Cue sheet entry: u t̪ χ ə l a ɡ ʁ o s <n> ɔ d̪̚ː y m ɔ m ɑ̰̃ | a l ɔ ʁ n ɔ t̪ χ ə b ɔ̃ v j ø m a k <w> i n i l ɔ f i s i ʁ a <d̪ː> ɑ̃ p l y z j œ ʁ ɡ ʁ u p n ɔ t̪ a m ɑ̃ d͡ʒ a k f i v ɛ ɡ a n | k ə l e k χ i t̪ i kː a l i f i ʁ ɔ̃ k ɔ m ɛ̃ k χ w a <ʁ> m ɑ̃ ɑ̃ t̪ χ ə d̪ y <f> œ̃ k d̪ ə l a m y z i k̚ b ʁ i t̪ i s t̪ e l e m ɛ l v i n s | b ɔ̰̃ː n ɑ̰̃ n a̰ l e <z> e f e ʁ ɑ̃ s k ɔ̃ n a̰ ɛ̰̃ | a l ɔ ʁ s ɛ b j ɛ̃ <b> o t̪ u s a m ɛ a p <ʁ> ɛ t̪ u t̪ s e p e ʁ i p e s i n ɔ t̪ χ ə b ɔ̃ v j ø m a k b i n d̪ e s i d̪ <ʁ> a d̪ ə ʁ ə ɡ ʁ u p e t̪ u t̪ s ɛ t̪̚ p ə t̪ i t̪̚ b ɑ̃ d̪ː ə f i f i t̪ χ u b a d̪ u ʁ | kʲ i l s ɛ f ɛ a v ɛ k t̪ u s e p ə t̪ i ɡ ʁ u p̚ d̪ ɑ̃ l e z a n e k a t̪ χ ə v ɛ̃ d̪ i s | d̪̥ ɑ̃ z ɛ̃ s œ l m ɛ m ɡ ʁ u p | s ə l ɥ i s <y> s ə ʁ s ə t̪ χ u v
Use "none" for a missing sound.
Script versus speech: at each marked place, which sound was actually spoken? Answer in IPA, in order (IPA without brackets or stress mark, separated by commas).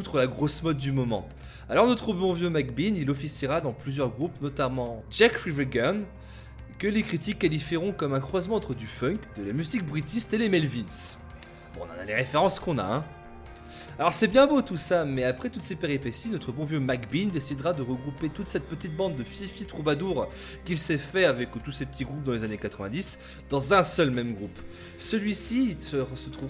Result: m, b, d̪, z, f, ʁ, b, χ, ʁ, i